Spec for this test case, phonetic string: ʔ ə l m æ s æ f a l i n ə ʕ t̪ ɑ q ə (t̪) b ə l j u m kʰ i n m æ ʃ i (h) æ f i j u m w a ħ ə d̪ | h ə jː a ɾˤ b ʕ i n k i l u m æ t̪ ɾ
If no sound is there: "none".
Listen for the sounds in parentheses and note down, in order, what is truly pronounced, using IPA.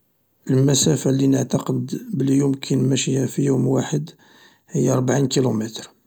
d̪, h

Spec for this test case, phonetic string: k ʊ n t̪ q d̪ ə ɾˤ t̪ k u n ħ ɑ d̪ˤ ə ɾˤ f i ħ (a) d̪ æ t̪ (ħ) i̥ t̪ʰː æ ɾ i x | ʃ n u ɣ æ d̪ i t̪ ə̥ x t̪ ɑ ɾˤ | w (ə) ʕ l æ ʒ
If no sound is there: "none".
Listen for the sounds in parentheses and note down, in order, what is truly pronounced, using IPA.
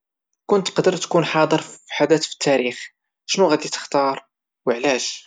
a, f, ə

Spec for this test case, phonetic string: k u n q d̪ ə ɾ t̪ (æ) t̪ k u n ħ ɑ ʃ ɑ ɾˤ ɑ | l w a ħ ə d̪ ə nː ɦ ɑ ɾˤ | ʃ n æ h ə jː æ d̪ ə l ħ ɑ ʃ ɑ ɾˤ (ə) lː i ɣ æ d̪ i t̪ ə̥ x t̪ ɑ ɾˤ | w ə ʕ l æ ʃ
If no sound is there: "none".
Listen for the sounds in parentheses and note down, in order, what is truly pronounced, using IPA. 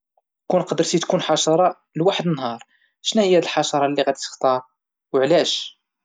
i, ɑ

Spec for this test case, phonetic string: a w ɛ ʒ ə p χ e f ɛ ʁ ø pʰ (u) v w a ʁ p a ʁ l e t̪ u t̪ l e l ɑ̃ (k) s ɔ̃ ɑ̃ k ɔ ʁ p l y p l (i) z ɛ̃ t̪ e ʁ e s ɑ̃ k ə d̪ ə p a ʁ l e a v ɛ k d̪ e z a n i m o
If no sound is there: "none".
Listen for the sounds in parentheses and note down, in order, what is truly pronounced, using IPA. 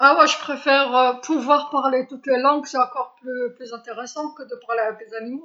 u, ɡ, y

